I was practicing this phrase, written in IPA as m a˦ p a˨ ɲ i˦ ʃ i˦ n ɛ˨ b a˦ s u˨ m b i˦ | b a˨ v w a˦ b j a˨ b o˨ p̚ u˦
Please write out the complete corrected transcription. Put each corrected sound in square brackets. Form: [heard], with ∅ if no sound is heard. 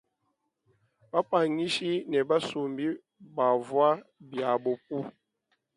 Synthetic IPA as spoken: [b] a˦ p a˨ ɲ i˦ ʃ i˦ n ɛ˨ b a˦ s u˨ m b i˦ | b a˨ v w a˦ b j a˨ b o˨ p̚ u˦